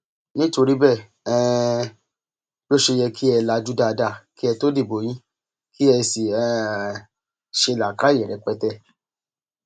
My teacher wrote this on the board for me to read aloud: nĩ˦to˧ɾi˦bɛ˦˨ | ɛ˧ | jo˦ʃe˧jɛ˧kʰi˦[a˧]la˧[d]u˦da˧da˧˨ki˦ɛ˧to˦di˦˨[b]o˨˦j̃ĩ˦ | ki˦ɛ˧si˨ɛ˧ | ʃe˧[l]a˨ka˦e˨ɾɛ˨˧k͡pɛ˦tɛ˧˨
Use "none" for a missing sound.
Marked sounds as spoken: ɛ˧, d͡ʒ, b, l

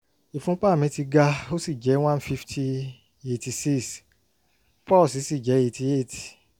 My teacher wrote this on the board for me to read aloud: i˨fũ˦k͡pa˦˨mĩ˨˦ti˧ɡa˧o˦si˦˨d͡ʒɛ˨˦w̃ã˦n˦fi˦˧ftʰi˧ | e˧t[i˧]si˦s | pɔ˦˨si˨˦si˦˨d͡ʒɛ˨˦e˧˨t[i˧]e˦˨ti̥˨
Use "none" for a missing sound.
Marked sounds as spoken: i˧, i˧

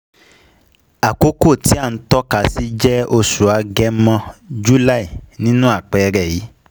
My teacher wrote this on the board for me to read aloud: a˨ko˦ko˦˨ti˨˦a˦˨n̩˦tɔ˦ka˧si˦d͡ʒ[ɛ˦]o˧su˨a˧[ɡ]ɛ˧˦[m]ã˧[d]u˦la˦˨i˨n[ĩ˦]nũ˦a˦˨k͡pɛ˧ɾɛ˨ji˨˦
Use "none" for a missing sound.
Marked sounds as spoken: ɛ˦, ɡ, m, d͡ʒ, ĩ˦

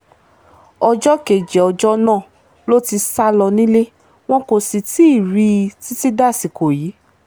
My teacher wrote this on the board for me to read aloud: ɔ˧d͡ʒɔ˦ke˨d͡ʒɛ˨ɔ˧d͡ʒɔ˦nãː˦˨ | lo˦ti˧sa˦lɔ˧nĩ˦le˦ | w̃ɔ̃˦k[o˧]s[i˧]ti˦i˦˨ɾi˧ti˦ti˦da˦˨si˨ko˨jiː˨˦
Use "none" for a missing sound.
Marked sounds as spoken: o˧, i˧

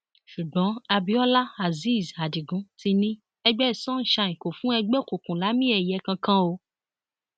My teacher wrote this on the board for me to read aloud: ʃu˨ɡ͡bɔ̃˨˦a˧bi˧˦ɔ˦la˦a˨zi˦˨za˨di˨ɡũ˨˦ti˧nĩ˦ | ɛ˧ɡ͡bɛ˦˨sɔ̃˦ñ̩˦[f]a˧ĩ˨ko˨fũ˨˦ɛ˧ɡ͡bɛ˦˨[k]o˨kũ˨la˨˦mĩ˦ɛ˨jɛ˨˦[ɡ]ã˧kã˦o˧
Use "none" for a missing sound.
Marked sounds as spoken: ʃ, k, k

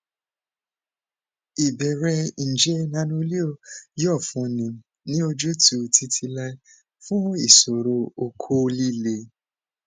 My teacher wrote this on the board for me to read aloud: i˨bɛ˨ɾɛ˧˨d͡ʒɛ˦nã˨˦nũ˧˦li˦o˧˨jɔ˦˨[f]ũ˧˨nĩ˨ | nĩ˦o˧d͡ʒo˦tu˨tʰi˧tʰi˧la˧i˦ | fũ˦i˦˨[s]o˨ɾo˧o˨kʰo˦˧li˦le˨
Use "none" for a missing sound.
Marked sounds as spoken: f, s

